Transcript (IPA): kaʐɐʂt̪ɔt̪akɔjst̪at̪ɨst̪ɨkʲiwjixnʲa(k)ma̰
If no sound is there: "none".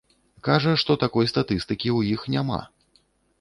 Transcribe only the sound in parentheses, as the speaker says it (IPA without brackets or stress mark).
none